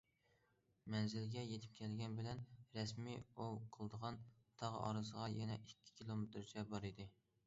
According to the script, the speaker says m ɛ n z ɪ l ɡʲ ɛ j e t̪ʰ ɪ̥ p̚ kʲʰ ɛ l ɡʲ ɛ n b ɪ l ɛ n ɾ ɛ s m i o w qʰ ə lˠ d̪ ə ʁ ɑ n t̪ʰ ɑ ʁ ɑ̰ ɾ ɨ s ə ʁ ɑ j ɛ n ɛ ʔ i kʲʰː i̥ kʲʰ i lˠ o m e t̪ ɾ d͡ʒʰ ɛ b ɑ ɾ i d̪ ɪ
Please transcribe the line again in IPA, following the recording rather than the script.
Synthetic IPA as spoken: m ɛ n z ɪ l ɡʲ ɛ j e t̪ʰ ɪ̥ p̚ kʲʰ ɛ l ɡʲ ɛ n b ɪ l ɛ n ɾ ɛ s m i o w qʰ ə lˠ d̪ ə ʁ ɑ n t̪ʰ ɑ ʁ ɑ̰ ɾ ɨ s ə ʁ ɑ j ɛ n ɛ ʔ i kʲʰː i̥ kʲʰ i lˠ o m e t̪ ɾ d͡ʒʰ ɛ b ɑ ɾ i d̪ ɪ